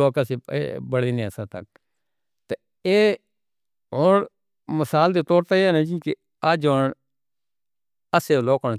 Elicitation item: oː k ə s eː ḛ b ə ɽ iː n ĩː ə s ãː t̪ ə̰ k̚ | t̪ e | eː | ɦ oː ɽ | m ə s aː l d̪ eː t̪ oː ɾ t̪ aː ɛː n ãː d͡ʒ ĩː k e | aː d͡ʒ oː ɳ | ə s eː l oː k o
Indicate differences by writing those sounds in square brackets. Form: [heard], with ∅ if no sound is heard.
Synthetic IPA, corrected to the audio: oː k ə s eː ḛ b ə ɽ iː n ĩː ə s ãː t̪ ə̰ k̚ | t̪ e | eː | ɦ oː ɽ | m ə s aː l d̪ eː t̪ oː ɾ t̪ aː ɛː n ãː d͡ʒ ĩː k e | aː d͡ʒ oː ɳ | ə s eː l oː k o